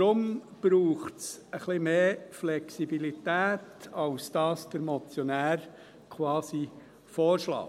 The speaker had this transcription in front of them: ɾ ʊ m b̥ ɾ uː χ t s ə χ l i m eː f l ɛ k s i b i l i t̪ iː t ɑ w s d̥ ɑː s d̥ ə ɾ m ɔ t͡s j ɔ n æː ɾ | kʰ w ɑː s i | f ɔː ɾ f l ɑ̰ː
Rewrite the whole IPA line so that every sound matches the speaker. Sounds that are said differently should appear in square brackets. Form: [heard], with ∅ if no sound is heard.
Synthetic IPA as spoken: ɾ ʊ m b̥ ɾ uː χ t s ə χ l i m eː f l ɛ k s i b i l i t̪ [æː] t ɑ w s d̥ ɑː s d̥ ə ɾ m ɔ t͡s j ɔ n æː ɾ | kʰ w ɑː s i | f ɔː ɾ [ʃ] l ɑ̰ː